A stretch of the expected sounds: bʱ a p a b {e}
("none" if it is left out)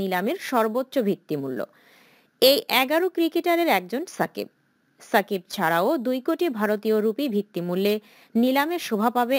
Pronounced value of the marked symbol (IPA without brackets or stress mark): e